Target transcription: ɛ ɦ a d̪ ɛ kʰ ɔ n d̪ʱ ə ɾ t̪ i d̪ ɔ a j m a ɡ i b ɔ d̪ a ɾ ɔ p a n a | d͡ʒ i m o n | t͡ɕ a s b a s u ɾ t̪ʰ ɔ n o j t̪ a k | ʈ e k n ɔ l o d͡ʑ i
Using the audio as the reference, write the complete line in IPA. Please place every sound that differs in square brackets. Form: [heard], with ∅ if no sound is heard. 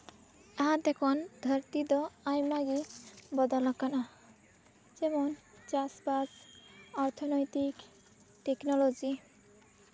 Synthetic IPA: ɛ ɦ a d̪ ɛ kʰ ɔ n d̪ʱ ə ɾ t̪ i d̪ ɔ a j m a ɡ i b ɔ d̪ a [l] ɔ [k] a n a | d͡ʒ [ɛ] m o n | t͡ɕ a s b a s [ɔ] ɾ t̪ʰ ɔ n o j t̪ [i] k | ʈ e k n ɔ l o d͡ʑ i

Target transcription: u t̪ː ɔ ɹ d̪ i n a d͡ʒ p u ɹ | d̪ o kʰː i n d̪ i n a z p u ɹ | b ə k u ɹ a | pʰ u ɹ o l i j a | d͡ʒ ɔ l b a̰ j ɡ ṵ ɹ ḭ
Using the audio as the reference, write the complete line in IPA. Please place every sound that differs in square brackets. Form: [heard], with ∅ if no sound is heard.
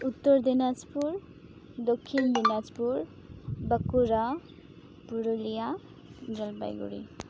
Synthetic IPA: u t̪ː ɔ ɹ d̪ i n a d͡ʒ p u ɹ | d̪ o kʰː i n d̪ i n a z p u ɹ | b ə k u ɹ a | [p] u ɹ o l i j a | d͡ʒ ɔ l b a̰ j ɡ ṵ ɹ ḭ

